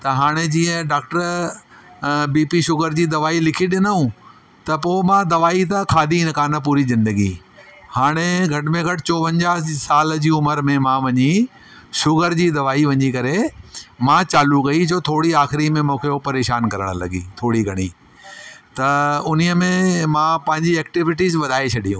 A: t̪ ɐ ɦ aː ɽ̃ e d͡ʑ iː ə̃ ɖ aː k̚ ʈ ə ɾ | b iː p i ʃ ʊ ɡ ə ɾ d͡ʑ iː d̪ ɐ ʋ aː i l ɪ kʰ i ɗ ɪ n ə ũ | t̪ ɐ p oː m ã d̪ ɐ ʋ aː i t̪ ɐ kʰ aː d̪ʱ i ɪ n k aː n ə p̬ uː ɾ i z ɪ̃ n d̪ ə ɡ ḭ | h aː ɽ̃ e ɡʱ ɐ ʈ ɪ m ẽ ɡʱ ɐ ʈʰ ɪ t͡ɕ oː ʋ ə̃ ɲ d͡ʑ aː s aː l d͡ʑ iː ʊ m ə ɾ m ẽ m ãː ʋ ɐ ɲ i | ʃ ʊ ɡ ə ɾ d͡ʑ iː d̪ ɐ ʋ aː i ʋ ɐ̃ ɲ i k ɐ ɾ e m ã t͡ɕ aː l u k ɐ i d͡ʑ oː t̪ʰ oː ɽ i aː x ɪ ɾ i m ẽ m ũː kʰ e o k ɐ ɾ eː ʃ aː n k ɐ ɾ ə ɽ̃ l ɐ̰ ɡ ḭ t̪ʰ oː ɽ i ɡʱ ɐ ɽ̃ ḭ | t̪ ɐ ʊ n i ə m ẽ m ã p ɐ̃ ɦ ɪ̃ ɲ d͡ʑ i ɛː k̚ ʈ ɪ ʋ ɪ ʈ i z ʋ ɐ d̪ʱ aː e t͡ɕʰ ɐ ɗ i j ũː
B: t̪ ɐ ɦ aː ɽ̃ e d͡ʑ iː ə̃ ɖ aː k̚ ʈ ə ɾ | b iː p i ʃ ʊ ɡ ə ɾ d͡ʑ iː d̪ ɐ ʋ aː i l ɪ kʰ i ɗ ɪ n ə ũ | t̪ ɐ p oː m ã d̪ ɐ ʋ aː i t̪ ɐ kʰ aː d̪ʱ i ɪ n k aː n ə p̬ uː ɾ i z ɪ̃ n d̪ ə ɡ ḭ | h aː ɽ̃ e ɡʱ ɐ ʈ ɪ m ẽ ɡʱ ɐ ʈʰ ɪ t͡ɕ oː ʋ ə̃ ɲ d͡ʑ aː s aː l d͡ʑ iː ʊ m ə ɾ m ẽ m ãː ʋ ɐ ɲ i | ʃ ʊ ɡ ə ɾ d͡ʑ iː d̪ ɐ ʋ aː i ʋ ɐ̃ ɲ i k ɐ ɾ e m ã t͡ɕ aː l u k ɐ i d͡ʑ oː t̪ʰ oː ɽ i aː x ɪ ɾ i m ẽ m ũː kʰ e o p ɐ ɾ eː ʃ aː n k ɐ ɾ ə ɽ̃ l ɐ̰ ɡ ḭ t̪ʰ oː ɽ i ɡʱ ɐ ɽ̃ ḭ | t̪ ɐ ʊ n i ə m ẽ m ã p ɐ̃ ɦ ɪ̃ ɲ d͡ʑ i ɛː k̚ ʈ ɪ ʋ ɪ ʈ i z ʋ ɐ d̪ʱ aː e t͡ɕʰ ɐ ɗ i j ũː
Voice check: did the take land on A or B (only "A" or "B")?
B